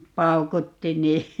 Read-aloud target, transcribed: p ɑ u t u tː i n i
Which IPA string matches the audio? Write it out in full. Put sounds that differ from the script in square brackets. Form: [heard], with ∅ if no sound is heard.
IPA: p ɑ u [k] u tː i n [iː]